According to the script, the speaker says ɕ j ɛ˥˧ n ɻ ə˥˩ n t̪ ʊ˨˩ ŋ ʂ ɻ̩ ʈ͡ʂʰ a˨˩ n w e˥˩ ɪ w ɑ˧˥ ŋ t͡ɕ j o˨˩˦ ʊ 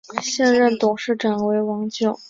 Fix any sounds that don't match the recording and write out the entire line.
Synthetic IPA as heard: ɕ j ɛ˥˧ n ɻ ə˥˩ n t̪ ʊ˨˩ ŋ ʂ ɻ̩ ʈ͡ʂ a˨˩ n w e˧˥ ɪ w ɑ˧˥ ŋ t͡ɕ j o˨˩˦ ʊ